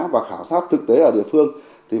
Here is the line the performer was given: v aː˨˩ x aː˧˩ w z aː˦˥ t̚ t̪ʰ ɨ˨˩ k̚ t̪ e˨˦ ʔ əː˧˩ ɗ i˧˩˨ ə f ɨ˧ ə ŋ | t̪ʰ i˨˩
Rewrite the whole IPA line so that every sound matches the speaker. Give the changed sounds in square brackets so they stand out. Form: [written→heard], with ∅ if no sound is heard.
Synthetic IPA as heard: v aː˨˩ x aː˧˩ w [z→s] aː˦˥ t̚ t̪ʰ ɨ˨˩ k̚ t̪ e˨˦ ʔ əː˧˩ ɗ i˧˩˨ ə f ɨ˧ ə ŋ | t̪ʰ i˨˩

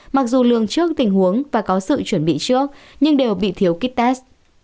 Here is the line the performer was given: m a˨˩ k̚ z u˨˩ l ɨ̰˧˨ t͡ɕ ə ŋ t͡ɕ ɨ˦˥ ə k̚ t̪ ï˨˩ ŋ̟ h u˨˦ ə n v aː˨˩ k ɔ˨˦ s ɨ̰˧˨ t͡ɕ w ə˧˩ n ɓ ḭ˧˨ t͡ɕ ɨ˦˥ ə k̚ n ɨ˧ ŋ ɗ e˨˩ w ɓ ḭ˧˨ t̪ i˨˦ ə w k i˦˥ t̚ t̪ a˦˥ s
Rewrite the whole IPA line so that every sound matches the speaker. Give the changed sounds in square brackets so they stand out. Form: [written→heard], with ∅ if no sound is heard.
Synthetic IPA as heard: m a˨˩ k̚ z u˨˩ l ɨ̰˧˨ [t͡ɕ→∅] ə ŋ t͡ɕ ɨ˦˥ ə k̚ t̪ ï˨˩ ŋ̟ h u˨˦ ə [n→ŋ] v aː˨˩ k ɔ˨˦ s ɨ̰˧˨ t͡ɕ w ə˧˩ n ɓ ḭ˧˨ t͡ɕ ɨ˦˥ ə k̚ [n→ɲ] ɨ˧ ŋ ɗ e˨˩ w ɓ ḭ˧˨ [t̪→t̪ʰ] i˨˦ ə w k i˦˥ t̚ t̪ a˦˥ s

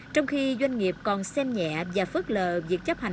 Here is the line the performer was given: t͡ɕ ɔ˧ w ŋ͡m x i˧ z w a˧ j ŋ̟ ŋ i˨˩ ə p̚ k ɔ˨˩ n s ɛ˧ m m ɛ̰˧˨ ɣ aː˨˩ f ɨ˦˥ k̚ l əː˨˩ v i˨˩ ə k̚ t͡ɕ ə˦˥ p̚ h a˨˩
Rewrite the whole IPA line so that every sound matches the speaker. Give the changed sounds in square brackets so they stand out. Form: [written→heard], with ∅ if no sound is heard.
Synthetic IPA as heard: t͡ɕ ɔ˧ w ŋ͡m x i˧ z w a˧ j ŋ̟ ŋ i˨˩ ə p̚ k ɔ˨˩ n s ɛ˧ m [m→ɲ] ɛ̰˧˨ [ɣ→v] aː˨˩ f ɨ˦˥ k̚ l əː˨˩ v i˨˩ ə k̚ t͡ɕ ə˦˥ p̚ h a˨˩

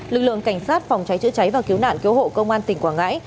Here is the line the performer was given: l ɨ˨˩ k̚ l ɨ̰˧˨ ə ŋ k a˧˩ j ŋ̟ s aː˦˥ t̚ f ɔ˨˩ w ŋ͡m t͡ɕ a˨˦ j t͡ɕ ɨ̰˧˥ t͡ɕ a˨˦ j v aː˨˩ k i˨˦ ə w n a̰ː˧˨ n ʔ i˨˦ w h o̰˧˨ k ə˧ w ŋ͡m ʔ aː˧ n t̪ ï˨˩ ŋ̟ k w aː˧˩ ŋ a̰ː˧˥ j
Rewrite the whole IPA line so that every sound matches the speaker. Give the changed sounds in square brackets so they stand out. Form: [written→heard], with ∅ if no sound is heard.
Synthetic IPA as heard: l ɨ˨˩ k̚ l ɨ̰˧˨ ə ŋ k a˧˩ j ŋ̟ s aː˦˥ t̚ f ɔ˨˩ w ŋ͡m t͡ɕ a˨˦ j t͡ɕ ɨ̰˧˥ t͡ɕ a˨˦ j v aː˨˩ k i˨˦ ə w n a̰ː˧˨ n [ʔ→k] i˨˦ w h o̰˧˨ k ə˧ w ŋ͡m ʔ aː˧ n t̪ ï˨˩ ŋ̟ k w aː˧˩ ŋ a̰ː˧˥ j

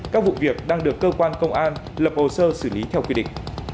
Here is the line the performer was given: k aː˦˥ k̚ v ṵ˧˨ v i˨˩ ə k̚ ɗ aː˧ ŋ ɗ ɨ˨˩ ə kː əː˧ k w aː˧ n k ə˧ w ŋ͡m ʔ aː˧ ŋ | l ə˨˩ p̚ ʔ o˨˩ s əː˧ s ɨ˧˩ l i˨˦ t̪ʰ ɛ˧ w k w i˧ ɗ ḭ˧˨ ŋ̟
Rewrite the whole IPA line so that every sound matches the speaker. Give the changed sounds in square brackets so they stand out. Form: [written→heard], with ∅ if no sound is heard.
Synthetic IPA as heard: k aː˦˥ k̚ v ṵ˧˨ v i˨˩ ə k̚ ɗ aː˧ ŋ ɗ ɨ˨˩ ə kː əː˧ k w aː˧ n k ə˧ w ŋ͡m ʔ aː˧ [ŋ→n] | l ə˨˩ p̚ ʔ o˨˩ s əː˧ s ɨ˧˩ l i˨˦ t̪ʰ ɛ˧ w k w i˧ ɗ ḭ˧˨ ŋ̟

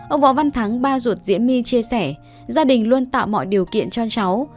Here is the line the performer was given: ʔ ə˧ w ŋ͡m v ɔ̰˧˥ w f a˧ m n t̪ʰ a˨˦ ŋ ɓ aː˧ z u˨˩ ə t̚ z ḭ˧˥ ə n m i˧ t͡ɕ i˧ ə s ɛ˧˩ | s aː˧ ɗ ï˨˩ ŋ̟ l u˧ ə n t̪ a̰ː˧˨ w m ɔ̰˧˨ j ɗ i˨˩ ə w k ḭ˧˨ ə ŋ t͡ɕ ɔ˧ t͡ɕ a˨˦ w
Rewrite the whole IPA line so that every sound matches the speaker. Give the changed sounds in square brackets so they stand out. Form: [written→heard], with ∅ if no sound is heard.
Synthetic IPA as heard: ʔ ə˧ w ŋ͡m v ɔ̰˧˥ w [f→v] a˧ [m→∅] n t̪ʰ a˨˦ ŋ ɓ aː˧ z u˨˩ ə t̚ z ḭ˧˥ ə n m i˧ t͡ɕ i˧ ə s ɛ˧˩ | [s→z] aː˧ ɗ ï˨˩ ŋ̟ l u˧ ə n t̪ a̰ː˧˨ w m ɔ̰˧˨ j ɗ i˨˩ ə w k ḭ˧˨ ə [ŋ→n] t͡ɕ ɔ˧ t͡ɕ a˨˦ w

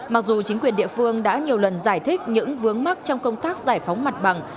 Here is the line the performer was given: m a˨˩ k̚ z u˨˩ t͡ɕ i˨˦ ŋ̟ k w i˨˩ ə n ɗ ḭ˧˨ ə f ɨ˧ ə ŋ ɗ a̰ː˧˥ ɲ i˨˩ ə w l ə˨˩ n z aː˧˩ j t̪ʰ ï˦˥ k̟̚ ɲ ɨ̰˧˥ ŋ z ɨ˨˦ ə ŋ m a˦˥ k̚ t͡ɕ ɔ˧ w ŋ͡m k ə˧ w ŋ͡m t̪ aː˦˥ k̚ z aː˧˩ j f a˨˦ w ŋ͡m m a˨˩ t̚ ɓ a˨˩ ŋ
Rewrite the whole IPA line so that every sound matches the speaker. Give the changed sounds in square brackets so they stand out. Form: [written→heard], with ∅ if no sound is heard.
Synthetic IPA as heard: m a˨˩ k̚ z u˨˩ t͡ɕ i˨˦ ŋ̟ k w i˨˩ ə n ɗ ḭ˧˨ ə f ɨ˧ ə ŋ ɗ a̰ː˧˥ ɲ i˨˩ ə w l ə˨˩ n z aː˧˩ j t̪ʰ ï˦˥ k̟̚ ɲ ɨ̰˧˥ ŋ [z→v] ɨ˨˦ ə ŋ m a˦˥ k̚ t͡ɕ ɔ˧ w ŋ͡m k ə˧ w ŋ͡m t̪ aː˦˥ k̚ z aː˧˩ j f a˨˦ w ŋ͡m m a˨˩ t̚ ɓ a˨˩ ŋ

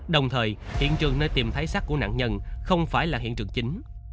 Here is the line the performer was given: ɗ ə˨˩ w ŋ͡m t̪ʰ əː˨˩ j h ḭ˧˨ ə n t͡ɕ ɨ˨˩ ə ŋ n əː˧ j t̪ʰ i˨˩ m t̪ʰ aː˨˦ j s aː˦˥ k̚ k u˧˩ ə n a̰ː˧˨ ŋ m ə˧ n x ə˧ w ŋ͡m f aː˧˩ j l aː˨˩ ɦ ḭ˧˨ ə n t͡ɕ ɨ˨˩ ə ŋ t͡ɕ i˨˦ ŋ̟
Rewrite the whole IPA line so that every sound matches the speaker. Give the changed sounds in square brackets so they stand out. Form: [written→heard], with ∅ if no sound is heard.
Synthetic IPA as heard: ɗ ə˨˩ w ŋ͡m t̪ʰ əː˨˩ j h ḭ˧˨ ə n t͡ɕ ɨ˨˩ ə ŋ n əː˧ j [t̪ʰ→t̪] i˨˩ m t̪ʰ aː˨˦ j s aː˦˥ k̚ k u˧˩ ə n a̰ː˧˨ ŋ [m→ɲ] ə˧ n x ə˧ w ŋ͡m f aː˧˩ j l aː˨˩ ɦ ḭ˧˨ ə n t͡ɕ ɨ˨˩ ə ŋ t͡ɕ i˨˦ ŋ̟

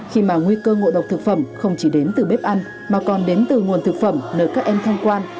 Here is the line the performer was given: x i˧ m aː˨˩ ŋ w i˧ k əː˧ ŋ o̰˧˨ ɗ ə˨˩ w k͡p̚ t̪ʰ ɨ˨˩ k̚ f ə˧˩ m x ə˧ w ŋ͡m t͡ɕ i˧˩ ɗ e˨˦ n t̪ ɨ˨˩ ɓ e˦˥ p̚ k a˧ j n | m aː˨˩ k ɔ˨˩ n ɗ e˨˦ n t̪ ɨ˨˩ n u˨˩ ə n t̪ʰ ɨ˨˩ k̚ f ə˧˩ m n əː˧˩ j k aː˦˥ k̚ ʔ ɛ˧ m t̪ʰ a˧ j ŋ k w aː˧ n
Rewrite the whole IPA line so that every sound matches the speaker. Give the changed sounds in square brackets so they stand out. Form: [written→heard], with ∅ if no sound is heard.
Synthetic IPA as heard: x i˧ m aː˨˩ ŋ w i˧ k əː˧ ŋ o̰˧˨ ɗ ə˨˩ w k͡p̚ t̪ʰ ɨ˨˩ k̚ f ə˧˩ m x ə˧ w ŋ͡m t͡ɕ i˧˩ ɗ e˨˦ n t̪ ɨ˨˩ ɓ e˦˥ p̚ [k→ʔ] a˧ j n | m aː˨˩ k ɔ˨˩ n ɗ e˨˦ n t̪ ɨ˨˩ [n→ŋ] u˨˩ ə n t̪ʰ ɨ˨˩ k̚ f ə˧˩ m n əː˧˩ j k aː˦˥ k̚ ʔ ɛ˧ m t̪ʰ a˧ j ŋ k w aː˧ n

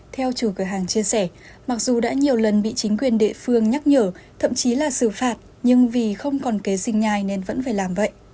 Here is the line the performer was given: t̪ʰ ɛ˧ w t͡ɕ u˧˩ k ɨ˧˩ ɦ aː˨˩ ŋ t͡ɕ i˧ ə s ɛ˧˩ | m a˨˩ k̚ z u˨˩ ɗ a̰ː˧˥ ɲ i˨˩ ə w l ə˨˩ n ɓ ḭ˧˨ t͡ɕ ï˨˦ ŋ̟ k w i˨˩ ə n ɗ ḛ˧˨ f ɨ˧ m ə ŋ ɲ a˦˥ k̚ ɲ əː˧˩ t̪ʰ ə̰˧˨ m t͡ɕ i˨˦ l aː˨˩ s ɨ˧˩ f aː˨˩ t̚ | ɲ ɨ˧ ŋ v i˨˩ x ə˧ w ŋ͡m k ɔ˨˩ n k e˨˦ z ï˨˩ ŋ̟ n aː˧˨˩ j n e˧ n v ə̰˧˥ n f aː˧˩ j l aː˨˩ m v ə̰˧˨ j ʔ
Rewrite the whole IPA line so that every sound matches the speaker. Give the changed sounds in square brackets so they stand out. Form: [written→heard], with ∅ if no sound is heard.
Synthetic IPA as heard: t̪ʰ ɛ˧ w t͡ɕ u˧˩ k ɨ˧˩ ɦ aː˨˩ ŋ t͡ɕ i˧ ə s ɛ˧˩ | m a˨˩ k̚ z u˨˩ ɗ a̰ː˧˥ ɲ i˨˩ ə w l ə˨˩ n ɓ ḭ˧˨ t͡ɕ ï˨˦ ŋ̟ k w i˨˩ ə n ɗ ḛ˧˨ f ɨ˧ [m→∅] ə ŋ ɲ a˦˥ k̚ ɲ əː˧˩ t̪ʰ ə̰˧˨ m t͡ɕ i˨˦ l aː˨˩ s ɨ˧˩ f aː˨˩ t̚ | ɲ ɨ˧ ŋ v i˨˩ x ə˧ w ŋ͡m k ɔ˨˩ n k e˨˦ z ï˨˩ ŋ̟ [n→ɲ] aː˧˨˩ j n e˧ n v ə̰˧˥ n f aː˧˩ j l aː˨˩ m v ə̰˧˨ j ʔ

